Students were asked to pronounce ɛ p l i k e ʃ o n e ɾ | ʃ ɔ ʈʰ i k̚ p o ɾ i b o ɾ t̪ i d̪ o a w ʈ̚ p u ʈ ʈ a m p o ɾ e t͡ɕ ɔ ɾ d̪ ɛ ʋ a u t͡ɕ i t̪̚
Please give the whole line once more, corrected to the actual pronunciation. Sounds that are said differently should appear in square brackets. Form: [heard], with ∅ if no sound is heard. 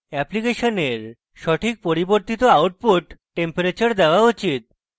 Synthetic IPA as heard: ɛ p l i k e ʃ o n e ɾ | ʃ ɔ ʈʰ i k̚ p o ɾ i b o ɾ t̪ i [t̪] o a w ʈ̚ p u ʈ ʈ [e] m p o ɾ e t͡ɕ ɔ ɾ d̪ ɛ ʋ a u t͡ɕ i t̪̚